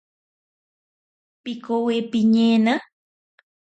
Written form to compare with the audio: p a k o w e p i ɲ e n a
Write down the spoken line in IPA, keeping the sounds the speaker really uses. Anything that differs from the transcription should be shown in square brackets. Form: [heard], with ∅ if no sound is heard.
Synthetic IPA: p [i] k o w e p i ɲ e n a